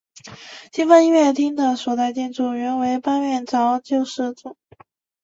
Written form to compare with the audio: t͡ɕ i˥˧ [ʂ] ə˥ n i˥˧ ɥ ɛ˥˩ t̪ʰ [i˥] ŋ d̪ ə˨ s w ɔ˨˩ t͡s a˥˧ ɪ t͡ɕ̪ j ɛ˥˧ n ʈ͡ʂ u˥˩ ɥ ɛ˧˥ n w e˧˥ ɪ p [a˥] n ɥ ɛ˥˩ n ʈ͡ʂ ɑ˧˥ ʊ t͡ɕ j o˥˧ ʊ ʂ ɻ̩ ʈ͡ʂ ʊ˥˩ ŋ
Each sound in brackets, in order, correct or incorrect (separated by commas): incorrect, correct, correct